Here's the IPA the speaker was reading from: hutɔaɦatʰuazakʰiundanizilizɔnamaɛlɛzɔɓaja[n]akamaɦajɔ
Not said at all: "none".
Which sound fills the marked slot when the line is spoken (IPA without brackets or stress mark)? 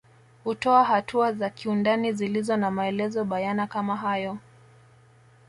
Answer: n